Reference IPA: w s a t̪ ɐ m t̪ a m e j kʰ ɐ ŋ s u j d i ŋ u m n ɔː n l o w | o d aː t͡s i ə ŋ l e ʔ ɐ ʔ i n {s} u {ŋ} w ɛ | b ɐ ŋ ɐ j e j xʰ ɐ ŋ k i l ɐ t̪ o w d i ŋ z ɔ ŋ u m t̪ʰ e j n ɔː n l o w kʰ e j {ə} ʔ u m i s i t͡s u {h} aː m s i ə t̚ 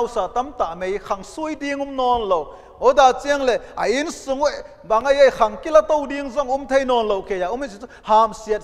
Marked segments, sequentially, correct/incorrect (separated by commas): correct, correct, incorrect, correct